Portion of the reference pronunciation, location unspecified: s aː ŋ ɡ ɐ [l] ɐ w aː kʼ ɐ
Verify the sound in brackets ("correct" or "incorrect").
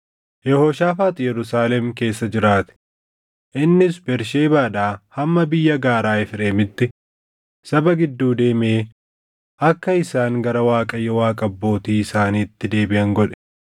incorrect